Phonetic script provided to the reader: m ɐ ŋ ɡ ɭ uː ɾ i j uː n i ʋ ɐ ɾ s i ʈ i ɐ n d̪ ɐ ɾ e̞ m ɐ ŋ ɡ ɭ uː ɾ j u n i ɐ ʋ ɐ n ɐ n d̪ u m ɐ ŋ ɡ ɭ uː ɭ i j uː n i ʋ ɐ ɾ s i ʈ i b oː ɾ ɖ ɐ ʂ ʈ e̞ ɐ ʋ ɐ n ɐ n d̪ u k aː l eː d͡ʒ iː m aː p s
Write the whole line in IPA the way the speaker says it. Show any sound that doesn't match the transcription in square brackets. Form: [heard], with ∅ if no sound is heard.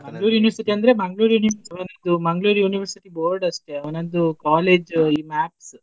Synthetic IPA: m ɐ ŋ ɡ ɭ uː ɾ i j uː n i ʋ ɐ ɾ s i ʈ i ɐ n d̪ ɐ ɾ e̞ m ɐ ŋ ɡ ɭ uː ɾ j u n i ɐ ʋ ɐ n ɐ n d̪ u m ɐ ŋ ɡ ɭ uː [ɾ] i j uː n i ʋ ɐ ɾ s i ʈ i b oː ɾ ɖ ɐ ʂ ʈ e̞ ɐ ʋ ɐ n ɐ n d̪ u k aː l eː d͡ʒ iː m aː p s